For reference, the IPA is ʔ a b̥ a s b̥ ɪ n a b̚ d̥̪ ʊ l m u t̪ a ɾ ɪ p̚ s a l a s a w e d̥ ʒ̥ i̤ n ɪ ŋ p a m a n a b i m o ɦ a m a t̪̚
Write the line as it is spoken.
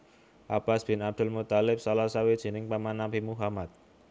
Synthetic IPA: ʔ a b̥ a s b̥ ɪ n a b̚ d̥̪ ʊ l m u t̪ a l ɪ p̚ s a l a s a w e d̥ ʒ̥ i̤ n ɪ ŋ p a m a n a b i m u ɦ a m a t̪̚